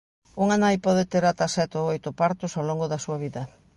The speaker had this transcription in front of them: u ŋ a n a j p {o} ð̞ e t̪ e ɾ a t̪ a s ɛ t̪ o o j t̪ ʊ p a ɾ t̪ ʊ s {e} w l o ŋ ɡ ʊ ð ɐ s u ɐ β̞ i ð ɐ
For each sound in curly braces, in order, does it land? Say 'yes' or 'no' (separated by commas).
no, no